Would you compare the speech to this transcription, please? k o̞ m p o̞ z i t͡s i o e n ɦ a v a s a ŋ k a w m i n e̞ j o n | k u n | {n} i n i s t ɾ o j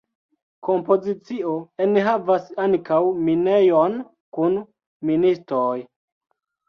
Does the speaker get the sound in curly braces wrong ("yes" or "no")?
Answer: yes